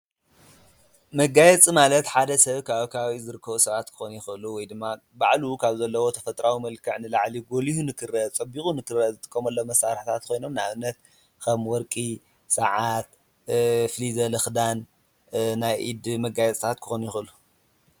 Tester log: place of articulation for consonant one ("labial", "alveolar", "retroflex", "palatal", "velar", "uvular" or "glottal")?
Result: labial